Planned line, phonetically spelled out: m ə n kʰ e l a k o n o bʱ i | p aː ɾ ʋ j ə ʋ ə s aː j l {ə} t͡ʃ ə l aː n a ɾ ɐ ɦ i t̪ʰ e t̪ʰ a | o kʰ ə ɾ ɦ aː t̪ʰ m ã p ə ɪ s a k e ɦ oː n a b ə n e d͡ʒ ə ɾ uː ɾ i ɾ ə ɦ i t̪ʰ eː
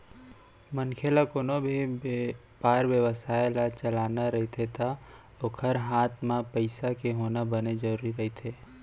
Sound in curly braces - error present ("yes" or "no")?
yes